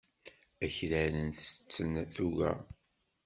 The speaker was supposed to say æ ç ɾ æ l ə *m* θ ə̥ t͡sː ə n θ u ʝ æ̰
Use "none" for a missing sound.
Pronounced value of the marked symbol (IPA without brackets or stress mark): n